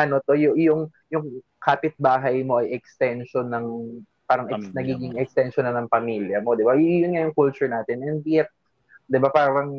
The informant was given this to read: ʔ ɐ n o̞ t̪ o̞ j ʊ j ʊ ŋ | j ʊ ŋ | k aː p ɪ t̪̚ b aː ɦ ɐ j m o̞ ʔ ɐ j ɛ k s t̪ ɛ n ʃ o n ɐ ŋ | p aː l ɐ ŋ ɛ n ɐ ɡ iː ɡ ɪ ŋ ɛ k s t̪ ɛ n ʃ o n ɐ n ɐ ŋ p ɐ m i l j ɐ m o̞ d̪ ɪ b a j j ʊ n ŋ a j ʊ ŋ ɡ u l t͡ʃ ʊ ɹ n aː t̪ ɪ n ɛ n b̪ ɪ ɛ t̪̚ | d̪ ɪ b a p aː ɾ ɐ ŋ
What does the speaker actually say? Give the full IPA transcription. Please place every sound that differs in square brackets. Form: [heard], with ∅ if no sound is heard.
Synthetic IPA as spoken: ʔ ɐ n o̞ t̪ o̞ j ʊ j ʊ ŋ | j ʊ ŋ | k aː p ɪ t̪̚ b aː ɦ ɐ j m o̞ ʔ ɐ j ɛ k s t̪ ɛ n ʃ o n ɐ ŋ | p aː [ɾ] ɐ ŋ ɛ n ɐ ɡ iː ɡ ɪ ŋ ɛ k s t̪ ɛ n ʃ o n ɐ n ɐ ŋ p ɐ m i l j ɐ m o̞ d̪ ɪ b a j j ʊ n ŋ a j ʊ ŋ [k] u l t͡ʃ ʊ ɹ n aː t̪ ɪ n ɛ n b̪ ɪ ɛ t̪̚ | d̪ ɪ b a p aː ɾ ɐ ŋ